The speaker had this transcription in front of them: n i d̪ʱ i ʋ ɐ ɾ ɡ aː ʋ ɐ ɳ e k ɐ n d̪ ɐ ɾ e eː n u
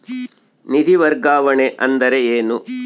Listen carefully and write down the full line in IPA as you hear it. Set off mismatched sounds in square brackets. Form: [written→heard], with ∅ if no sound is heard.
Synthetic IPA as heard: n i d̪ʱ i ʋ ɐ ɾ ɡ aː ʋ ɐ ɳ e [k→ʔ] ɐ n d̪ ɐ ɾ e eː n u